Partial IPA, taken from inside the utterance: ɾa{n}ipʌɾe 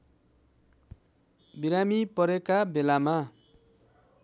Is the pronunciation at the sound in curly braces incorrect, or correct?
incorrect: m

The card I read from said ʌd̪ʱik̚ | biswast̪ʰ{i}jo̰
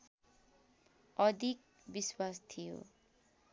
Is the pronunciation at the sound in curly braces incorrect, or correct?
correct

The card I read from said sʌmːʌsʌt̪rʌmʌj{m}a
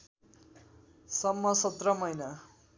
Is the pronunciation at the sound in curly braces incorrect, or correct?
incorrect: n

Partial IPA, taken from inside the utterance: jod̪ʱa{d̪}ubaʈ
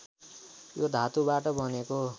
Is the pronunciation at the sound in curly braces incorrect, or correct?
incorrect: t̪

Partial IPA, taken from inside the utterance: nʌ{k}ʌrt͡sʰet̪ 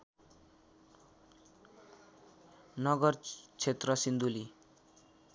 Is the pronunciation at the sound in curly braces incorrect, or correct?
incorrect: ɡ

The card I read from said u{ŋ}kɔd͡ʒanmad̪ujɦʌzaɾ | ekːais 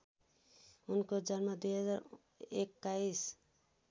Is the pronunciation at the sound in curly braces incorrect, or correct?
incorrect: n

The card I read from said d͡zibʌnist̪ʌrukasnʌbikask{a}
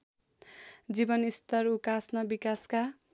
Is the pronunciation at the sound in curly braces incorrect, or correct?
correct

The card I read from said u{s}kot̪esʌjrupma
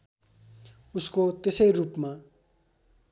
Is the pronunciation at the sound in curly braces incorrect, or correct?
correct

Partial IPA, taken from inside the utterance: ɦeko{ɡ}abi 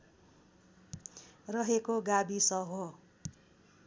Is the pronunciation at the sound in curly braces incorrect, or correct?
correct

